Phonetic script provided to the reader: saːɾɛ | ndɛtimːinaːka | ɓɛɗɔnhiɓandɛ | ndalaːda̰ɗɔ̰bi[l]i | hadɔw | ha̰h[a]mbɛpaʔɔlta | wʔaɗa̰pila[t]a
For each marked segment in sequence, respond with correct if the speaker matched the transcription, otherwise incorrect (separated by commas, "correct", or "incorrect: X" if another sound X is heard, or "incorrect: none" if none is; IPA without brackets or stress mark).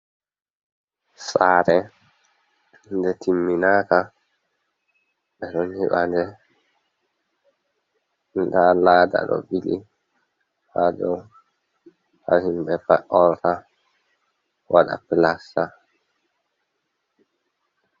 correct, incorrect: i, incorrect: s